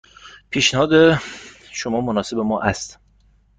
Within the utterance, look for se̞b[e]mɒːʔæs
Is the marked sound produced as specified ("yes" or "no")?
yes